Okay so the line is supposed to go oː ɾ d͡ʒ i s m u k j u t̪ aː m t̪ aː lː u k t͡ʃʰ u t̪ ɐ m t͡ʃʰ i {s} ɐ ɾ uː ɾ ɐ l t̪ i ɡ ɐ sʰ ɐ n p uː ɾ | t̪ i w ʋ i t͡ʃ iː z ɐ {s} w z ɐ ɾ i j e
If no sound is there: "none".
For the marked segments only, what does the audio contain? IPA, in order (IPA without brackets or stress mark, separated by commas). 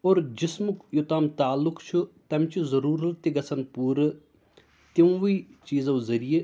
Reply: z, none